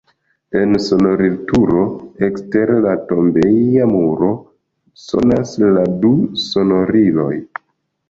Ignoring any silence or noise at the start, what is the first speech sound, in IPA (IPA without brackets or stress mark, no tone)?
e̞